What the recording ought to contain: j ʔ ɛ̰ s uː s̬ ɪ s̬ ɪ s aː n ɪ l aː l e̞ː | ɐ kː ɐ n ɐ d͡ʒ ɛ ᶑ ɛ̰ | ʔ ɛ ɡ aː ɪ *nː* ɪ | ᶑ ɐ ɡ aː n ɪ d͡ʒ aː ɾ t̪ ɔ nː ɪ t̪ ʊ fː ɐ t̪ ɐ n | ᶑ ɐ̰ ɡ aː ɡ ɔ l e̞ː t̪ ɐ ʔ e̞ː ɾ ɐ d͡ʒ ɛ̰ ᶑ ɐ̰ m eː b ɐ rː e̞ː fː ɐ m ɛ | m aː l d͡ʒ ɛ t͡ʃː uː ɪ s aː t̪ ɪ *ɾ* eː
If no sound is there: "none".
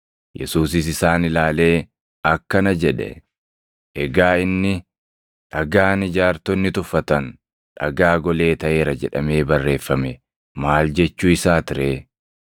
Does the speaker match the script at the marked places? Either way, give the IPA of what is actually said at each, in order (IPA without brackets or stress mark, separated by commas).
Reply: nː, ɾ